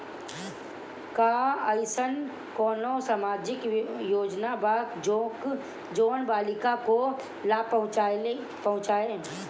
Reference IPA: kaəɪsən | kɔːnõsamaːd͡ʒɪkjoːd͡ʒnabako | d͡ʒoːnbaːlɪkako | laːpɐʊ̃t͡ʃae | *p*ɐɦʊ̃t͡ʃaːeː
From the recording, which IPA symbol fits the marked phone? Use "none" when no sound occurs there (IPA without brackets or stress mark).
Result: p